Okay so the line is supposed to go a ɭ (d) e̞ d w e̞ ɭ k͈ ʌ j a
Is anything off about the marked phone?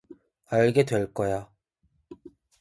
yes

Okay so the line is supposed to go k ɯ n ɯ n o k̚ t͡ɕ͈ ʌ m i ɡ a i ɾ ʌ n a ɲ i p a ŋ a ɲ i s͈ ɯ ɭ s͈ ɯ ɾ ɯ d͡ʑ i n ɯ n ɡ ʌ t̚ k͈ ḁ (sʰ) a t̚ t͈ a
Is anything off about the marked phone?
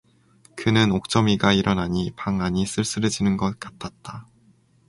yes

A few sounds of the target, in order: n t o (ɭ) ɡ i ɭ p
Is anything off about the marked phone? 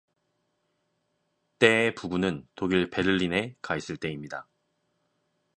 yes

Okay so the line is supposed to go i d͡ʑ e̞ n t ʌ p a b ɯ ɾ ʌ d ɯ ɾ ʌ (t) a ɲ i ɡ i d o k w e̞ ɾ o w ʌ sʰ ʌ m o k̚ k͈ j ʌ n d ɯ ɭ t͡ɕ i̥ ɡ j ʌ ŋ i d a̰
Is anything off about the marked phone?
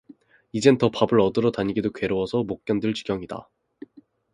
no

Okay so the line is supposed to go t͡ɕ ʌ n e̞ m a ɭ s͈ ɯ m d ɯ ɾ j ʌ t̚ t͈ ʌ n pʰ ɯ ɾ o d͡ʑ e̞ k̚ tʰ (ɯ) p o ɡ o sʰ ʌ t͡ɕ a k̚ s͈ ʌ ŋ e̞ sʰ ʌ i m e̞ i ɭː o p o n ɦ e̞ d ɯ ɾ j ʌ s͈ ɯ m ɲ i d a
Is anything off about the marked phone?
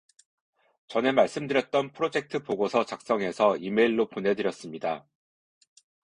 no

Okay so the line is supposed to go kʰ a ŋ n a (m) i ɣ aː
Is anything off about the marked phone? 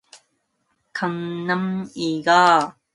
no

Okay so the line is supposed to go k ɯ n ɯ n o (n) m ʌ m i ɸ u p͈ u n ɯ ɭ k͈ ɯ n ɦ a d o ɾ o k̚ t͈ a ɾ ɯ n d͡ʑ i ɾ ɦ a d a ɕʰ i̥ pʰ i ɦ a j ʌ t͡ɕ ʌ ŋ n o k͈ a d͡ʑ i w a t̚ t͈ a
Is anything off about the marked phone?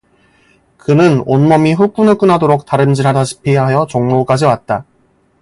no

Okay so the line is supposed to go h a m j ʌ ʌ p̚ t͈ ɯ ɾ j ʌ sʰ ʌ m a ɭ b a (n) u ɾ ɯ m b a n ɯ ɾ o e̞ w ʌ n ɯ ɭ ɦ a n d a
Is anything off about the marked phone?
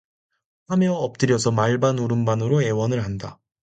no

